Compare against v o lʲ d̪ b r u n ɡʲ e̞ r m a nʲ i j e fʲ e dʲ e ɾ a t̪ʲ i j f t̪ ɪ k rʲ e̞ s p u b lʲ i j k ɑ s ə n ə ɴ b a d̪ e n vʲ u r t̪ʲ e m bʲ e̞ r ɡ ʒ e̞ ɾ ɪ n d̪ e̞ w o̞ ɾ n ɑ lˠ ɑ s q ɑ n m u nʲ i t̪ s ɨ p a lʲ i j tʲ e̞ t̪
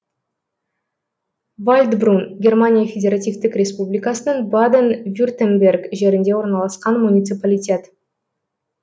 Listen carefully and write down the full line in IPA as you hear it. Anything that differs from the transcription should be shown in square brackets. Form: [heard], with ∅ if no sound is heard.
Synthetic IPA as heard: v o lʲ d̪ b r u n ɡʲ e̞ r m a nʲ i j [a] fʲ e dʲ e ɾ a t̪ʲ i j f t̪ ɪ k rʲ e̞ s p u b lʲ i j k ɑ s ə n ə ɴ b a d̪ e n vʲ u r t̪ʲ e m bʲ e̞ r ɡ ʒ e̞ ɾ ɪ n d̪ e̞ w o̞ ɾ n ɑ lˠ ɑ s q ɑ n m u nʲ i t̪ s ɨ p a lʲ i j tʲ e̞ t̪